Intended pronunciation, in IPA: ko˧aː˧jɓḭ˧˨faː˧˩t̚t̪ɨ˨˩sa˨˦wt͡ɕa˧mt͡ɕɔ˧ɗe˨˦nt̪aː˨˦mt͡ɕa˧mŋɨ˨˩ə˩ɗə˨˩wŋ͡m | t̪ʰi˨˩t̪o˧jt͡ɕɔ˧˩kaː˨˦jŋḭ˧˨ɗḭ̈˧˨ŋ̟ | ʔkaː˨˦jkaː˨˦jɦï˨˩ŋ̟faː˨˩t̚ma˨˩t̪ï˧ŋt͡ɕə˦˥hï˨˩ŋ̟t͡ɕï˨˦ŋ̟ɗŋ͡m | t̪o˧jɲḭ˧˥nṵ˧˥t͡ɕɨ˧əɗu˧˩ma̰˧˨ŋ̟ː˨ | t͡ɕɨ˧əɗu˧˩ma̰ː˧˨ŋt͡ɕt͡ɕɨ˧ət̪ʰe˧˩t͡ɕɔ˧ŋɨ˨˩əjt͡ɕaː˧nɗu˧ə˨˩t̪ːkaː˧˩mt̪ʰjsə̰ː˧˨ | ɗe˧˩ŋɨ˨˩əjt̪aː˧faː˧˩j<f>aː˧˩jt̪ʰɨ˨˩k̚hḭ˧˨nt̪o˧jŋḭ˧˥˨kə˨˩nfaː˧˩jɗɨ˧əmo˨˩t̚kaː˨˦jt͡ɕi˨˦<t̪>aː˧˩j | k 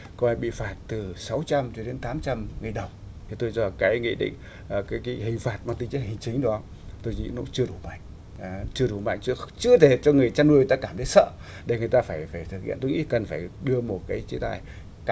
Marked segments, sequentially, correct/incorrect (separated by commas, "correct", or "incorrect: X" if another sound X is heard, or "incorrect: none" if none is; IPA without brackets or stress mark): correct, correct